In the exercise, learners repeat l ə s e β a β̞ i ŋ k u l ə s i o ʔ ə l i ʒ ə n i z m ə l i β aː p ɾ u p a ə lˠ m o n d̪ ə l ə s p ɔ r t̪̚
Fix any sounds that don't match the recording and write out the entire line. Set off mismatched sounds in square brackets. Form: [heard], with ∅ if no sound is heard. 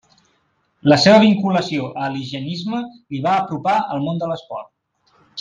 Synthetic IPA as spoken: l ə s e β [ə] β̞ i ŋ k u l ə s i o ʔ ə l i ʒ ə n i z m ə l i β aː p ɾ u p a ə lˠ m o n d̪ ə l ə s p ɔ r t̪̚